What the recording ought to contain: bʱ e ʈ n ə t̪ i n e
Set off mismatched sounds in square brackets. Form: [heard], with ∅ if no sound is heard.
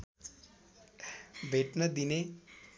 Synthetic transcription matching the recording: bʱ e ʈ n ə [d̪] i n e